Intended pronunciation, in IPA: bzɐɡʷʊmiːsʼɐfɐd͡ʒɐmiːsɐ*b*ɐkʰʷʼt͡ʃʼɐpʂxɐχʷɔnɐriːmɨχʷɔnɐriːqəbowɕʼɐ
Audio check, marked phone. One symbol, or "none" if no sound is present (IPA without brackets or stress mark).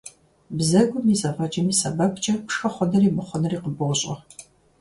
b